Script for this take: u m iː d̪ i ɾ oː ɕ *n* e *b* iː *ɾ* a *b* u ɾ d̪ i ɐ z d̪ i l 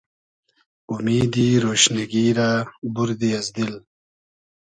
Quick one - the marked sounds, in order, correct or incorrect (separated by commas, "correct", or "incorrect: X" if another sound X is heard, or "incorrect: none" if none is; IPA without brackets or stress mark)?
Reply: correct, incorrect: ɡ, correct, correct